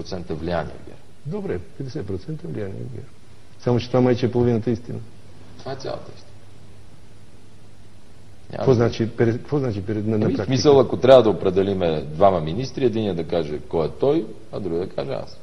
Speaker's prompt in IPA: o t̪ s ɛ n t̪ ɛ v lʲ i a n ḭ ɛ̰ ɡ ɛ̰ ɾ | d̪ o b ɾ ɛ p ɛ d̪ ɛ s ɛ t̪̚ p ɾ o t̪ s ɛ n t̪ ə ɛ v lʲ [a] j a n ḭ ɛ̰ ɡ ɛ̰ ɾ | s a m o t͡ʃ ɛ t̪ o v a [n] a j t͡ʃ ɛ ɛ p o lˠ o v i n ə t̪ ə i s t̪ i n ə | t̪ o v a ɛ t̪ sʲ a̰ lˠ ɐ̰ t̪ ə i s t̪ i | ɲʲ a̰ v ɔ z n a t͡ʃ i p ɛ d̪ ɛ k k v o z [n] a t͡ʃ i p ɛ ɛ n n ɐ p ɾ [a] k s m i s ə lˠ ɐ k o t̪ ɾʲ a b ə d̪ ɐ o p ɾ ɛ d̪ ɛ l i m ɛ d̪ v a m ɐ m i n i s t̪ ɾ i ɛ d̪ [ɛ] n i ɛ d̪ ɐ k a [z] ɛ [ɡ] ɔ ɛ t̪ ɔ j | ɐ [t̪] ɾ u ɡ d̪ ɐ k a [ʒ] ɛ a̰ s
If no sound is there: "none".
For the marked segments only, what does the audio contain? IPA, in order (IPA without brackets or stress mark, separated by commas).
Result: i, m, n, a, i, ʒ, k, d̪, ʒ